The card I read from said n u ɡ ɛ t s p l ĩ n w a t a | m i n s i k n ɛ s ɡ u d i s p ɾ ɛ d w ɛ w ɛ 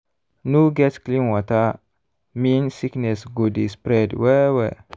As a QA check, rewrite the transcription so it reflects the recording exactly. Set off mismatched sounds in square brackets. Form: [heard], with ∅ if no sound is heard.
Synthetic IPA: n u ɡ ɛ t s [k] l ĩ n w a t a | m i n s i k n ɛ s ɡ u d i s p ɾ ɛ d w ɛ w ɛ